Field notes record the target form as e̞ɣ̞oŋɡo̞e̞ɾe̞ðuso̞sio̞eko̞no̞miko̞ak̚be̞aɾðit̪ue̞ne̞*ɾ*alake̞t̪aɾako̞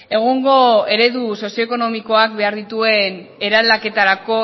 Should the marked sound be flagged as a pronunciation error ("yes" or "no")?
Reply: no